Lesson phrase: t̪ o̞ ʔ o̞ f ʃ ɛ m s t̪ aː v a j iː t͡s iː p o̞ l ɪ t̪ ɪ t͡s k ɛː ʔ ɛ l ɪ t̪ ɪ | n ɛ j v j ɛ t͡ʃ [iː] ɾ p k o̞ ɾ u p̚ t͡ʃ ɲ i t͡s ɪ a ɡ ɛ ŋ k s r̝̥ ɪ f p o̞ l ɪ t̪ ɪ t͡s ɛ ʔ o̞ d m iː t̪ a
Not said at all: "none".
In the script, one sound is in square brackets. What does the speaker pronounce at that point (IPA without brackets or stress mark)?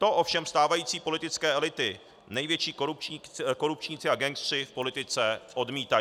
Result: iː